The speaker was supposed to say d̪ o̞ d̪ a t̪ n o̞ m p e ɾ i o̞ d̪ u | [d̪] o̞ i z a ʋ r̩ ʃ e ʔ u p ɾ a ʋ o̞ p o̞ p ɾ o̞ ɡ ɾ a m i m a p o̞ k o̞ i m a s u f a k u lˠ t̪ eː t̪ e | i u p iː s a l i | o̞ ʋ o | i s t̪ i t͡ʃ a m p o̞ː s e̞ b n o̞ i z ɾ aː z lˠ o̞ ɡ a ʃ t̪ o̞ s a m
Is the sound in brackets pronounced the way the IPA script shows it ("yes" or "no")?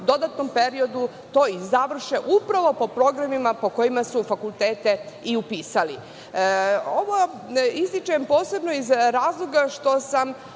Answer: no